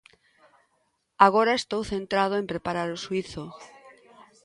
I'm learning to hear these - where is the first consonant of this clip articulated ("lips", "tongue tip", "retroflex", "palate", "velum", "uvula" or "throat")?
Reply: velum